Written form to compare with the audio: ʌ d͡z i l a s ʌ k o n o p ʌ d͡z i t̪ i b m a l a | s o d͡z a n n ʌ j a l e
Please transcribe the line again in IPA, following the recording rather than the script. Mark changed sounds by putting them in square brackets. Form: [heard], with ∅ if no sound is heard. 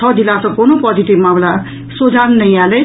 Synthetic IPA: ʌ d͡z i l a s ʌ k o n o p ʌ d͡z i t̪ i b m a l a | s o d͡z a n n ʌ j a l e